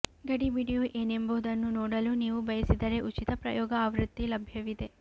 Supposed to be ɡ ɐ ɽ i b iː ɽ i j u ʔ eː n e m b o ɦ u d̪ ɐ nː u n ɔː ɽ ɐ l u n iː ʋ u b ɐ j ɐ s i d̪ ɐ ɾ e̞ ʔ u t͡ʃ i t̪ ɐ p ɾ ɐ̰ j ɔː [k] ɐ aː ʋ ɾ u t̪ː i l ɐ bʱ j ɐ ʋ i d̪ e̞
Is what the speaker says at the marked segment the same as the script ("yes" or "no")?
no